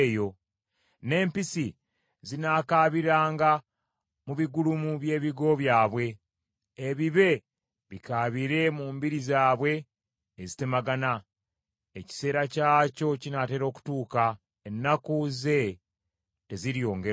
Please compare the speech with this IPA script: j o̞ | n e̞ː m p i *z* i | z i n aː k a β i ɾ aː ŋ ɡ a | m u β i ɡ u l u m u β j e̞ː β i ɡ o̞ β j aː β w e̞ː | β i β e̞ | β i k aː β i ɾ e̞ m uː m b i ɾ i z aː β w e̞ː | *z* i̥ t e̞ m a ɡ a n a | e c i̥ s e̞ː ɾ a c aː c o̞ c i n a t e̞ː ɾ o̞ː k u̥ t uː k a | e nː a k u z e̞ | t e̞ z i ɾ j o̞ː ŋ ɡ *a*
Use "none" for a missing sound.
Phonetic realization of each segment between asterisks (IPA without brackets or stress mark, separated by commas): s, z, e